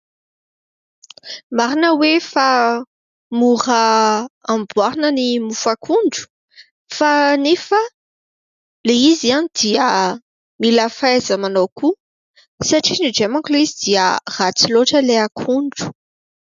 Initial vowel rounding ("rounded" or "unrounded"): unrounded